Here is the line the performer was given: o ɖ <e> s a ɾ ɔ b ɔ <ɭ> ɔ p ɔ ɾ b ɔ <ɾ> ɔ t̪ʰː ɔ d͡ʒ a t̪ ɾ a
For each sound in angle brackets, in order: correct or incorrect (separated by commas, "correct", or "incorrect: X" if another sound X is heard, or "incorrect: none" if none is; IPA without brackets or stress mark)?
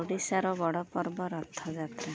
incorrect: i, incorrect: ɽ, correct